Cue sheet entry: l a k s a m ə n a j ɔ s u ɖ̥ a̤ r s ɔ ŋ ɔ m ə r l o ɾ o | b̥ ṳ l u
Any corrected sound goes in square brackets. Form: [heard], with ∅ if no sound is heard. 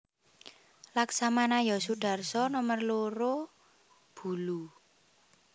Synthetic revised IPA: l a k s a m [a] n a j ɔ s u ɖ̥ a̤ r s ɔ [n] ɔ m ə r l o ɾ o | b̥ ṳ l u